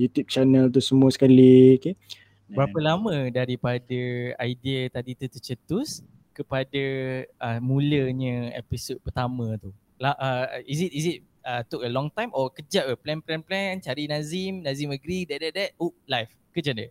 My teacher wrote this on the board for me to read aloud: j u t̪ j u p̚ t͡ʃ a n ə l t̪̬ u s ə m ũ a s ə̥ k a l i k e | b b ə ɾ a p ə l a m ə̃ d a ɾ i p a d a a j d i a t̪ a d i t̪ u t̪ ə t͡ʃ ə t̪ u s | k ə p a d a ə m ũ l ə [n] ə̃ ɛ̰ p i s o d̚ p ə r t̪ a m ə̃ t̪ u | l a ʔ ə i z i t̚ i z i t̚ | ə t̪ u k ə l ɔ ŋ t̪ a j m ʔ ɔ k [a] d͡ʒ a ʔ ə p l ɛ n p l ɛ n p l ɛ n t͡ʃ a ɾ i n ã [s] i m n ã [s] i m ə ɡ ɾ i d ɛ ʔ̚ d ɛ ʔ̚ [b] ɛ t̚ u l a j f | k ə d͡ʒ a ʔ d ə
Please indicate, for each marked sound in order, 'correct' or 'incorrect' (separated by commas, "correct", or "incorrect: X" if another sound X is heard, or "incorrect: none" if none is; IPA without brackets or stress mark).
incorrect: ɲ, incorrect: ə, incorrect: z, incorrect: z, incorrect: d